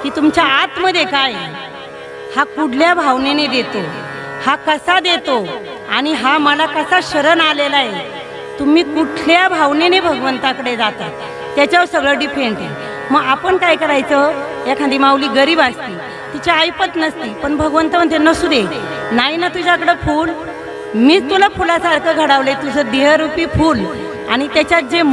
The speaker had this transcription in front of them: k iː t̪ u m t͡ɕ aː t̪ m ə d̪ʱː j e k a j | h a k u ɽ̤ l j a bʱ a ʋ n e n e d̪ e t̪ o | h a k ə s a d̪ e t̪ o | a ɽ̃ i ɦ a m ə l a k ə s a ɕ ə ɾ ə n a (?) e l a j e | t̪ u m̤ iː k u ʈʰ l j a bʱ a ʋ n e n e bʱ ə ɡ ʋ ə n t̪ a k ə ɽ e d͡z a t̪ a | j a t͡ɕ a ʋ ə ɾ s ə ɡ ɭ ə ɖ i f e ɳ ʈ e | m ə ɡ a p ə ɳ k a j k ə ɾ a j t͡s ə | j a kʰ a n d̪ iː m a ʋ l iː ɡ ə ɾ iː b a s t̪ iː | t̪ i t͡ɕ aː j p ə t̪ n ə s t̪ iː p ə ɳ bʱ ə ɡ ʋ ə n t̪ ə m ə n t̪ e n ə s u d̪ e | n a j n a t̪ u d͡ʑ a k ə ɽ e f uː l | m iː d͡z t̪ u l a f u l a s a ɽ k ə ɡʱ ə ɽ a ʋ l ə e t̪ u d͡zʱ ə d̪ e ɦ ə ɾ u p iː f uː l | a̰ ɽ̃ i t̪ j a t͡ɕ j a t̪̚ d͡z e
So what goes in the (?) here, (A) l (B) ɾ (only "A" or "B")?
A